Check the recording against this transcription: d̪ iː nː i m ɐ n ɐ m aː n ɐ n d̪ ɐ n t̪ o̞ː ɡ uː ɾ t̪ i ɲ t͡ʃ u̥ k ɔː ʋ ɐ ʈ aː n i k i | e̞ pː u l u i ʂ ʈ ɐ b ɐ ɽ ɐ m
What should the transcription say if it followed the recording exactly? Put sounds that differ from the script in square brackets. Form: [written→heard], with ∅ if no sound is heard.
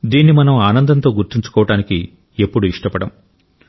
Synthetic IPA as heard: d̪ iː nː i m ɐ n ɐ m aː n ɐ n d̪ ɐ n t̪ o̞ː ɡ [uː→u] ɾ t̪ i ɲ t͡ʃ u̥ k ɔː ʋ ɐ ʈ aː n i k i | e̞ pː u [l→ɽ] u i ʂ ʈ ɐ [b→p] ɐ ɽ ɐ m

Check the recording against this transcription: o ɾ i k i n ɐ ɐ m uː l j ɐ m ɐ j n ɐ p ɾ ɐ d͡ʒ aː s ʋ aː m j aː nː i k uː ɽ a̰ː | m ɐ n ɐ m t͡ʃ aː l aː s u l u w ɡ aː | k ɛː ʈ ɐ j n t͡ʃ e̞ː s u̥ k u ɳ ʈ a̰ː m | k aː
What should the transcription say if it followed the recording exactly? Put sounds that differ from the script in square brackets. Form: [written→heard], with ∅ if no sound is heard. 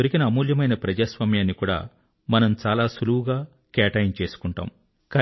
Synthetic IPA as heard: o ɾ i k i n ɐ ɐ m uː l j ɐ m ɐ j n ɐ p ɾ ɐ d͡ʒ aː s ʋ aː m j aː nː i k uː ɽ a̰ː | m ɐ n ɐ m t͡ʃ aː l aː s u l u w ɡ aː | k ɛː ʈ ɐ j n t͡ʃ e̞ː s u̥ k u ɳ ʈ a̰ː m | k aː

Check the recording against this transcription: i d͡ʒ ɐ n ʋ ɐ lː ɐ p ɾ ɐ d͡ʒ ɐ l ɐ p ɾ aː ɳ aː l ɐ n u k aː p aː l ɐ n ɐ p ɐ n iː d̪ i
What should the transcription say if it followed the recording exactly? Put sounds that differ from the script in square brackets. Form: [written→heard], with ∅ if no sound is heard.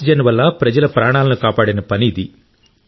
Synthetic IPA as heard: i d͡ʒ ɐ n ʋ ɐ lː ɐ p ɾ ɐ d͡ʒ ɐ l ɐ p ɾ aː ɳ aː l ɐ n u k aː p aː [l→ɽ] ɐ n ɐ p ɐ n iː d̪ i

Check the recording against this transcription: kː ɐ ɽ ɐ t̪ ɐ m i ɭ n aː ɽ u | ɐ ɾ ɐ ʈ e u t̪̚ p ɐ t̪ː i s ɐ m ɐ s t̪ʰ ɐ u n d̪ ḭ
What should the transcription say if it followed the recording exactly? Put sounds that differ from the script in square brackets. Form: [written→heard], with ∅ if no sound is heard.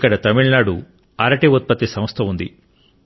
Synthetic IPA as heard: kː ɐ ɽ ɐ t̪ ɐ m i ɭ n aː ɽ u | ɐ ɾ ɐ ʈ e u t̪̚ p ɐ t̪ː i s ɐ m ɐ s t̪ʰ ɐ u n d̪ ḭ

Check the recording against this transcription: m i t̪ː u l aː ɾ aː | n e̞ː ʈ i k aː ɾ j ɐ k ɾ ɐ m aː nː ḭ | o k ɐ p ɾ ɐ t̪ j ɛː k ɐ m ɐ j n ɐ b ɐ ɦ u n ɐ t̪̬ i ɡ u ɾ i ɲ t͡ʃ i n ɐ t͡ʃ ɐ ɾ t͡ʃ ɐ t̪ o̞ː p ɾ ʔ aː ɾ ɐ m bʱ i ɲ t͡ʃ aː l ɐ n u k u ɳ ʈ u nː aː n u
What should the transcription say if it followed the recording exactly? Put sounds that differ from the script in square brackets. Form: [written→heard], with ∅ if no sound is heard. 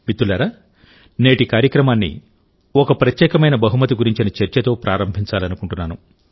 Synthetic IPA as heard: m i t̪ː u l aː ɾ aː | n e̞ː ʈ i k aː ɾ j ɐ k ɾ ɐ m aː nː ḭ | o k ɐ p ɾ ɐ t̪ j ɛː k ɐ m ɐ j n ɐ b ɐ ɦ u [n→m] ɐ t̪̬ i ɡ u ɾ i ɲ t͡ʃ i n ɐ t͡ʃ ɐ ɾ t͡ʃ ɐ t̪ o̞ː p ɾ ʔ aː ɾ ɐ m bʱ i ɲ t͡ʃ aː l ɐ n u k u ɳ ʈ u nː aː n u

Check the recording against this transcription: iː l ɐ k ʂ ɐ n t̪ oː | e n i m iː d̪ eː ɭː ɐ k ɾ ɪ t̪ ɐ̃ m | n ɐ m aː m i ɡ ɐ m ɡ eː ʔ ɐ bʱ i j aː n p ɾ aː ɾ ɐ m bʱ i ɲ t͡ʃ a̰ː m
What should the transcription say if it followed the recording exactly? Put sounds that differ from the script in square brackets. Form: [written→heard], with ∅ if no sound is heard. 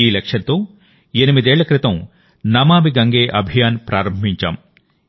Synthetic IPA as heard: iː l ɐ k ʂ ɐ n t̪ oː | e n i m [iː→i] d̪ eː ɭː ɐ k ɾ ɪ t̪ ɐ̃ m | n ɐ m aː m i ɡ ɐ [m→ŋ] ɡ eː ʔ ɐ bʱ i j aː n p ɾ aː ɾ ɐ m bʱ i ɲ t͡ʃ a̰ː m

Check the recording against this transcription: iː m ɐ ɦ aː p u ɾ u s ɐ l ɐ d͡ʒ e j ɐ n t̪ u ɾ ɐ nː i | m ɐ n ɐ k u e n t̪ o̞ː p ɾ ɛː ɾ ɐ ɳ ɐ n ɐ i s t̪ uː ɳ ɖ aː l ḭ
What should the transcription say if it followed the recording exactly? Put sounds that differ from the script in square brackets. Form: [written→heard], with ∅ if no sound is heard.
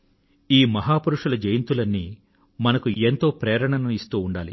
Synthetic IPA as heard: iː m ɐ ɦ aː p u ɾ u [s→ʂ] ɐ l ɐ d͡ʒ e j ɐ n t̪ u [ɾ→l] ɐ nː i | m ɐ n ɐ k u e n t̪ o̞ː p ɾ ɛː ɾ ɐ ɳ ɐ n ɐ i s t̪ uː ɳ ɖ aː l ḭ

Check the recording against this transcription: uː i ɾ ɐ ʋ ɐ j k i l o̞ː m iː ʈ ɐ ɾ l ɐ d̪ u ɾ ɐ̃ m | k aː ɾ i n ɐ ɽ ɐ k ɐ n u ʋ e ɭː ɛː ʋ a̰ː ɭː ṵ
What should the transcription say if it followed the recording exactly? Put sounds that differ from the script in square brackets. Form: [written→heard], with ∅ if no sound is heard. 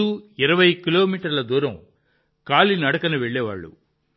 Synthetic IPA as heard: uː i ɾ ɐ ʋ ɐ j k i l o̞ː m iː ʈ ɐ ɾ l ɐ d̪ [u→uː] ɾ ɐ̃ m | k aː [ɾ→l] i n ɐ ɽ ɐ k ɐ n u ʋ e ɭː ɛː ʋ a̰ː ɭː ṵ

